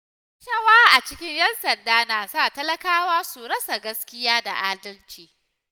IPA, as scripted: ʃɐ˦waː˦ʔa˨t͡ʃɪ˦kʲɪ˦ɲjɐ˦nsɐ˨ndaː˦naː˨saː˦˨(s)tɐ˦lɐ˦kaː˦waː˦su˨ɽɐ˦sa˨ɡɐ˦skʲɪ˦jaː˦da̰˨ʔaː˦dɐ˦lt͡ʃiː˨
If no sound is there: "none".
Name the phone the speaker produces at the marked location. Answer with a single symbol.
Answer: none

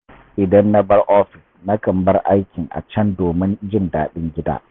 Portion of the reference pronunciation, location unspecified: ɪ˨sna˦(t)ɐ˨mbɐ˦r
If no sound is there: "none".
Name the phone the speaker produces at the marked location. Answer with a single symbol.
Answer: k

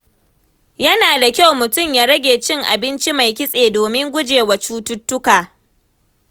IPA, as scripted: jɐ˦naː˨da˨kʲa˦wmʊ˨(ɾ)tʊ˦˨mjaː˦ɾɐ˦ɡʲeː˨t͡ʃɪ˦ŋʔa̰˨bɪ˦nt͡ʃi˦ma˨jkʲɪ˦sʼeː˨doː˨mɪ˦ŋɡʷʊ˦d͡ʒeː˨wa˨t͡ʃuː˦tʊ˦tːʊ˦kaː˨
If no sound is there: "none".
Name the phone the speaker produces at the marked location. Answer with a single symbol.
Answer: none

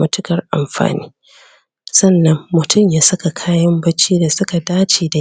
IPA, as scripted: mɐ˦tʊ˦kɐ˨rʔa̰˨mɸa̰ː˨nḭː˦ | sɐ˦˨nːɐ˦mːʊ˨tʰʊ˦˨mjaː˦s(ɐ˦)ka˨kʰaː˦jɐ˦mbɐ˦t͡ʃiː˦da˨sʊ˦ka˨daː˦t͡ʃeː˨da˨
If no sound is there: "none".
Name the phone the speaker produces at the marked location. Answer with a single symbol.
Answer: ɐ˦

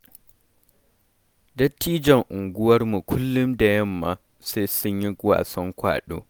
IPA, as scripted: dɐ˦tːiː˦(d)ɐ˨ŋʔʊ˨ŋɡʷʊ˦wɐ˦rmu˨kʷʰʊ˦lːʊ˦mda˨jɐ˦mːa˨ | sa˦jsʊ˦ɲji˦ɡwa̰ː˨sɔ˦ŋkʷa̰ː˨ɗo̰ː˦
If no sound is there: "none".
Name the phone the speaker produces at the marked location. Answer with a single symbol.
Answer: d͡ʒ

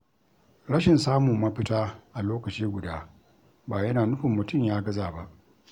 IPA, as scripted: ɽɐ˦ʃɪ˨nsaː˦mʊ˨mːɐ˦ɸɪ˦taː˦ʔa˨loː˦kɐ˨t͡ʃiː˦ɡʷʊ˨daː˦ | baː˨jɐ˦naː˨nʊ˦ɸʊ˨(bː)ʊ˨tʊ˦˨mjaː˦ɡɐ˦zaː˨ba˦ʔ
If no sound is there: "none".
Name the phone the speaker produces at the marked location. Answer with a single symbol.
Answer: mː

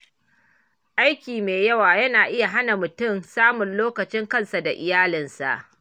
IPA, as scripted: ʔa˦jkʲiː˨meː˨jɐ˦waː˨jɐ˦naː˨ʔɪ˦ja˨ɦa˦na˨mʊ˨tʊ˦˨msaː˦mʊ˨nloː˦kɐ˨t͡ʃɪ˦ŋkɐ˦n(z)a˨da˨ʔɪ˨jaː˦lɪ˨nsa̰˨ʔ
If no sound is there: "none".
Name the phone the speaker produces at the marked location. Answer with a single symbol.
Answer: s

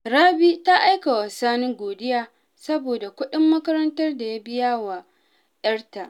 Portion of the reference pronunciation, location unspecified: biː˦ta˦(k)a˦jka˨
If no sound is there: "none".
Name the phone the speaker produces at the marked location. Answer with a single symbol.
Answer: ʔ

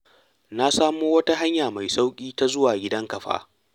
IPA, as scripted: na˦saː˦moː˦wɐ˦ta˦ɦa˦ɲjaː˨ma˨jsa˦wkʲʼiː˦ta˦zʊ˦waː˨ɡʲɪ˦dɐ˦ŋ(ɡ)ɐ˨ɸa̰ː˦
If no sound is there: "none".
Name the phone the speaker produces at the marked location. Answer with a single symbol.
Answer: k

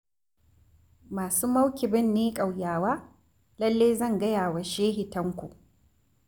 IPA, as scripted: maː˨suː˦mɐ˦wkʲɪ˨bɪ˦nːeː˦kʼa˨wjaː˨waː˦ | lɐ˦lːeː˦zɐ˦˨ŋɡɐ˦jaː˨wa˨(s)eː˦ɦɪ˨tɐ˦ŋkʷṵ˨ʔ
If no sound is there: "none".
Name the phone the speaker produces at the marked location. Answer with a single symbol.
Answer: ʃ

